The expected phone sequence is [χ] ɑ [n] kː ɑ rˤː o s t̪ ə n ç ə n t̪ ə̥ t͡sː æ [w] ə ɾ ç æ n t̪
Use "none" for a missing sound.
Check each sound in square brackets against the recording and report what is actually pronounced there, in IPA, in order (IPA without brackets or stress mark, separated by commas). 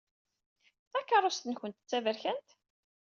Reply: θ, none, v